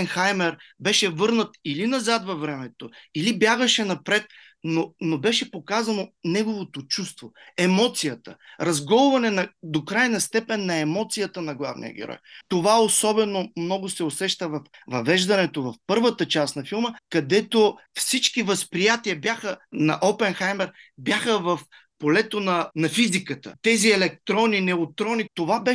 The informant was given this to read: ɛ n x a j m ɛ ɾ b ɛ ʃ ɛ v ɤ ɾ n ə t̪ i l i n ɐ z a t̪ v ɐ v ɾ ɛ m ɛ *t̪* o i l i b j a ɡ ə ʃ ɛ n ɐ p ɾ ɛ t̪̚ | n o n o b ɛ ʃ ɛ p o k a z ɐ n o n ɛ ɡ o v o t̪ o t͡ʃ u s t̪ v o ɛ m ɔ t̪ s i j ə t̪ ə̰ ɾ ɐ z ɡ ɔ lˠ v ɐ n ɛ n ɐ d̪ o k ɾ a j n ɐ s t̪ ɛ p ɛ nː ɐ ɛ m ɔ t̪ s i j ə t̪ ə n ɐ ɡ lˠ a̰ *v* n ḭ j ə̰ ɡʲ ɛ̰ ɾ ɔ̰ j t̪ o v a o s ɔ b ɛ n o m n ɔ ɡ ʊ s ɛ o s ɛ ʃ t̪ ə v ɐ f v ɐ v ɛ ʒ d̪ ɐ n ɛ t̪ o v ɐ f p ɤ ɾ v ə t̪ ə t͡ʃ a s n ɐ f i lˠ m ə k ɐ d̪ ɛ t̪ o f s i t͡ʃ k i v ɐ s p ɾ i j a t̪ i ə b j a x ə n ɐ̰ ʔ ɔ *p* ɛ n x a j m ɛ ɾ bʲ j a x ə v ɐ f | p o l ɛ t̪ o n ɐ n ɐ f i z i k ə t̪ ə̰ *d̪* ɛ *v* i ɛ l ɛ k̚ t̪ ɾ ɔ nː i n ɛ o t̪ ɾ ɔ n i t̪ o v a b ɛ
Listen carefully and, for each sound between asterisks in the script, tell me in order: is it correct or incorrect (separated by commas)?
correct, correct, correct, incorrect, incorrect